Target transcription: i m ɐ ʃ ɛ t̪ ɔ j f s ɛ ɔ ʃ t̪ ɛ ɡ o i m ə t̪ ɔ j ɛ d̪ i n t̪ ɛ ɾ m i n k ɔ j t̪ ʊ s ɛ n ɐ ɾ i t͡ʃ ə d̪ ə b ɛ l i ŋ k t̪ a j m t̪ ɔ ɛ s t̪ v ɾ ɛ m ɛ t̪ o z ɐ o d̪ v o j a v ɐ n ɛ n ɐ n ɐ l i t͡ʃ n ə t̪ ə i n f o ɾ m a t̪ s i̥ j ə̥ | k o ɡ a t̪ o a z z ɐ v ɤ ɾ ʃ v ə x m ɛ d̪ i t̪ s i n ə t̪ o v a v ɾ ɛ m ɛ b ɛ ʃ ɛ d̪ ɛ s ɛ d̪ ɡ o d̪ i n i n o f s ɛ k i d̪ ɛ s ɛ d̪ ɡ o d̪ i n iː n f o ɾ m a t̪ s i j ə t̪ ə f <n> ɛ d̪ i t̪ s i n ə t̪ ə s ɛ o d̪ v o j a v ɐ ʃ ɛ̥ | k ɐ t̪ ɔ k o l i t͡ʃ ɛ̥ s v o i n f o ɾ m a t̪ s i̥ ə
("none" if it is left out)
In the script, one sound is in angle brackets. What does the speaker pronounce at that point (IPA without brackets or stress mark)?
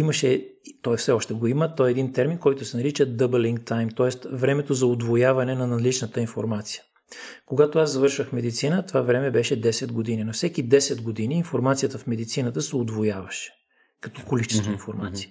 m